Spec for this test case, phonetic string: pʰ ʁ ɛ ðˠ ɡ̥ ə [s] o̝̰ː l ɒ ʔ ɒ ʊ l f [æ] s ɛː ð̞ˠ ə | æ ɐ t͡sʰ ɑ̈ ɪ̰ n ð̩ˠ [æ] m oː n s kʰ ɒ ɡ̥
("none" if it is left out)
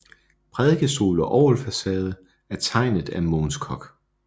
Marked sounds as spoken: s, æ, æ

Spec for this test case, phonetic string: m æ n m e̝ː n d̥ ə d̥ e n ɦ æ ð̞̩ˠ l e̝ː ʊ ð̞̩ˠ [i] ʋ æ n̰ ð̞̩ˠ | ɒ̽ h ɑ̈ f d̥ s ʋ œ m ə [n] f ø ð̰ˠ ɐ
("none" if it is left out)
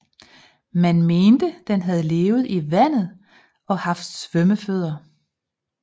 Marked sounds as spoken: i, none

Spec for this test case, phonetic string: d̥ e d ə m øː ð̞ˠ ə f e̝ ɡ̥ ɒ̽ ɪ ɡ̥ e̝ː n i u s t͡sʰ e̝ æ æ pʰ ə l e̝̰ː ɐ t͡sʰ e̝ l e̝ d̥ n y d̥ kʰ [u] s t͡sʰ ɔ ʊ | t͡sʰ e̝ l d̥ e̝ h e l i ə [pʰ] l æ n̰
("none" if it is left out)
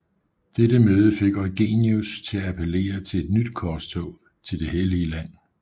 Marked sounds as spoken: ɒ, none

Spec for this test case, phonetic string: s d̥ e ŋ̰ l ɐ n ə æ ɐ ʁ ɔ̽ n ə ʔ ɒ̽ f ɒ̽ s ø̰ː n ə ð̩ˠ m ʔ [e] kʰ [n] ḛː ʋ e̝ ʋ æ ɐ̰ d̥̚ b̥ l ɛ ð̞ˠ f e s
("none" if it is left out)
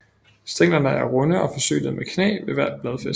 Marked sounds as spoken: e, n

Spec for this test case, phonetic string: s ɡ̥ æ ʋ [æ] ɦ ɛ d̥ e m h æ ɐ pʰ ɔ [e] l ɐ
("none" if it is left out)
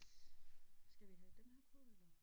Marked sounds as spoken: i, e

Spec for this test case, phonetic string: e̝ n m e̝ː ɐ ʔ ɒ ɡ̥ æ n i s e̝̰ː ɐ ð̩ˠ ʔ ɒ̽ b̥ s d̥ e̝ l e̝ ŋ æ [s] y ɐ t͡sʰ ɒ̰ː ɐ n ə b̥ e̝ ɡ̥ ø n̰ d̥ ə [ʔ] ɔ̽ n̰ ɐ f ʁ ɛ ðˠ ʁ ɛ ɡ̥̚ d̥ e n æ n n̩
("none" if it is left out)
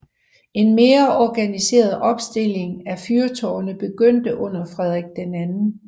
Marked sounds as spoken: f, ʔ

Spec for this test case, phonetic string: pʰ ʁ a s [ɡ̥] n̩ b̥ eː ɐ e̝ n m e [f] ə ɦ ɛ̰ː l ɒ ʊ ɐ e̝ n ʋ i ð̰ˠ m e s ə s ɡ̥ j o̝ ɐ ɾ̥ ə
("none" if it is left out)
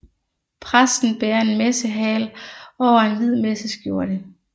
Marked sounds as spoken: d̥, s

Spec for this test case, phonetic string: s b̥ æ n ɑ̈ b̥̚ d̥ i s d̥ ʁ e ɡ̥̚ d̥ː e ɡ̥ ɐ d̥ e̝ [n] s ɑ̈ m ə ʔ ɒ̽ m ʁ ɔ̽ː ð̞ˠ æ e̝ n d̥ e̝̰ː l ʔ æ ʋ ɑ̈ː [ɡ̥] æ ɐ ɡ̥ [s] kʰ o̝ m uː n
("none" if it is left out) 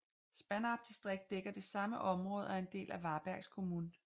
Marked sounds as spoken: none, b̥, s

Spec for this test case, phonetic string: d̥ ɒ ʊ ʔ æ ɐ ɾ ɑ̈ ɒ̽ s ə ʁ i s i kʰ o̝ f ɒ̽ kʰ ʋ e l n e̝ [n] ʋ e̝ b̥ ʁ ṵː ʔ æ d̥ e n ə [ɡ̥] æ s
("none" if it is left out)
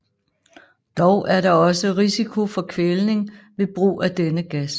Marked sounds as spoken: ŋ, ɡ̥

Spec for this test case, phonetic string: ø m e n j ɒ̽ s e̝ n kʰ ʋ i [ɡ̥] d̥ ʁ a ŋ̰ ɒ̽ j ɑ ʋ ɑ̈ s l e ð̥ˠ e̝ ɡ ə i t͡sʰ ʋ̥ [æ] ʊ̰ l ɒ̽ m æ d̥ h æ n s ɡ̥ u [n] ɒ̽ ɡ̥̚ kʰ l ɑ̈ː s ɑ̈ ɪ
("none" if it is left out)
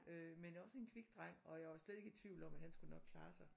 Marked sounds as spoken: ɡ̥, i, n

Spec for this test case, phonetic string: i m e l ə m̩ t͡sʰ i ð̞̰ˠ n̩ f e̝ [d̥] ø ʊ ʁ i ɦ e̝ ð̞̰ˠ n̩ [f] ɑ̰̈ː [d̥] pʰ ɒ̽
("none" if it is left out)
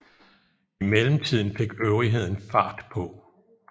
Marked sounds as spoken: ɡ̥, f, d̥

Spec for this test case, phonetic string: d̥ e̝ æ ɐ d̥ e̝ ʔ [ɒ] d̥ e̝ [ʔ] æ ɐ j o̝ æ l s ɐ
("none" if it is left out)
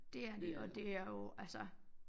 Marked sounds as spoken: ɒ, none

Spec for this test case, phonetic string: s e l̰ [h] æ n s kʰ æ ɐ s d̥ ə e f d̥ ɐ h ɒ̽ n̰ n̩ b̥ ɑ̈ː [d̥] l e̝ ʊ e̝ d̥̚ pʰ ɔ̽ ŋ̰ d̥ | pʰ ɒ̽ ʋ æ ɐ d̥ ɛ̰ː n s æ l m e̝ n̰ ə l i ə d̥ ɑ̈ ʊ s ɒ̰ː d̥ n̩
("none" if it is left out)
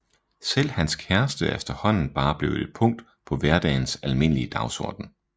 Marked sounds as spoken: h, b̥

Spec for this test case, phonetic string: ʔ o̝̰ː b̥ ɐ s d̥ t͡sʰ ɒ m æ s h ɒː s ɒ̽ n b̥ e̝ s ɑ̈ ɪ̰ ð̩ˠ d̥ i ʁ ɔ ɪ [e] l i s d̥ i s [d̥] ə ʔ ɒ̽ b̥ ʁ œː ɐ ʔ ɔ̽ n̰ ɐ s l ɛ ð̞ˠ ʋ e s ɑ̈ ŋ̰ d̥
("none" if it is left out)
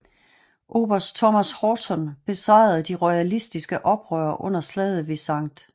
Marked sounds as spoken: æ, ɡ̥

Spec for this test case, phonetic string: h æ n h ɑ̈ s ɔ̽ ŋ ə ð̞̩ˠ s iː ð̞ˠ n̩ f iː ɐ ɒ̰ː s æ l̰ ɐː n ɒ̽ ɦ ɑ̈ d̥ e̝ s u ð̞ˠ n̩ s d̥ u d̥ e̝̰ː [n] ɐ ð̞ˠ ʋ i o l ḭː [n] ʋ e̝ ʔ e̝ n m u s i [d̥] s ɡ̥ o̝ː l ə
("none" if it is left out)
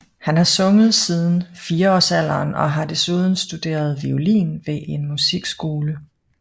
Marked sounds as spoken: none, n, ɡ̥

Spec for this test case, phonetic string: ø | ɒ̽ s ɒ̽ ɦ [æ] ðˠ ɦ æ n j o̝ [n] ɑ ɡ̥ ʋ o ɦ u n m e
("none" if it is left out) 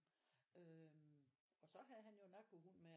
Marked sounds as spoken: æ, n

